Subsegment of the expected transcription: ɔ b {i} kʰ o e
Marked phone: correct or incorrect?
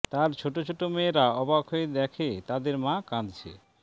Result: incorrect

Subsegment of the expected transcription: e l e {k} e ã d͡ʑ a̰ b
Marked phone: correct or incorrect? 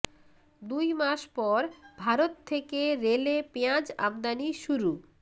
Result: incorrect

